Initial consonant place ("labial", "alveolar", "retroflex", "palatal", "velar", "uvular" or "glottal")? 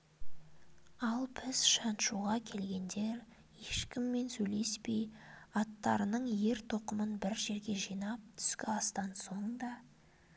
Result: alveolar